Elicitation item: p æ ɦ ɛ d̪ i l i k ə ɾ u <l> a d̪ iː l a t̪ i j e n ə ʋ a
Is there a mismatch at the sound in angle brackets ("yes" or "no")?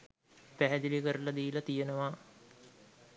no